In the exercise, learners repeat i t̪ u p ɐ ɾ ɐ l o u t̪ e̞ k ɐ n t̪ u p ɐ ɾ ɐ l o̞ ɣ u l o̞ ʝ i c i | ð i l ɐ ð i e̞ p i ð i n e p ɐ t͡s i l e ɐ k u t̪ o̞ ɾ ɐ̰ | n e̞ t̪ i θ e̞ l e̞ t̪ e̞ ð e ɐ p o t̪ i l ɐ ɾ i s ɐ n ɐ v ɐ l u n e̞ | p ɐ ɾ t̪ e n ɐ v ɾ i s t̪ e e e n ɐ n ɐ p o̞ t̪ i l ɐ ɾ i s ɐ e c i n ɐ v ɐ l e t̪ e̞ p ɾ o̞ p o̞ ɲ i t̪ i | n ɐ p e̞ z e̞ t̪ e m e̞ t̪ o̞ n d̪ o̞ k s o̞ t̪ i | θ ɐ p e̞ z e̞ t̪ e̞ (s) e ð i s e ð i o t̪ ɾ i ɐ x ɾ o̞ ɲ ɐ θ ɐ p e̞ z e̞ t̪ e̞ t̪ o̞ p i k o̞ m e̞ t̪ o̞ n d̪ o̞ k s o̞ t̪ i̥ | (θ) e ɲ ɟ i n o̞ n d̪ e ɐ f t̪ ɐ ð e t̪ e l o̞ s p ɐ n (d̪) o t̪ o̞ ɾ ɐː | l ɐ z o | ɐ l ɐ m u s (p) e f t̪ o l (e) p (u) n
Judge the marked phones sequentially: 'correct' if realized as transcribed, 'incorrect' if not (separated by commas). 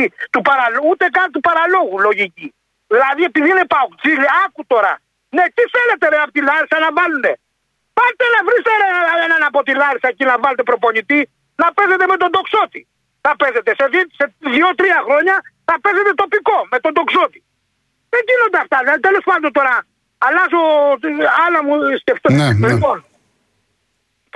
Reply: correct, incorrect, correct, incorrect, incorrect, incorrect